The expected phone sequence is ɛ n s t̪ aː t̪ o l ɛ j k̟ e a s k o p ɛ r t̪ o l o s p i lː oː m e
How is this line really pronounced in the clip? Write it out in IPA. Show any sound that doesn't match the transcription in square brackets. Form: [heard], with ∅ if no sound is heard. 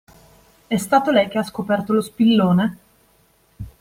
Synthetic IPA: ɛ [∅] s t̪ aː t̪ o l ɛ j k̟ e a s k o p ɛ r t̪ o l o s p i lː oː [n] e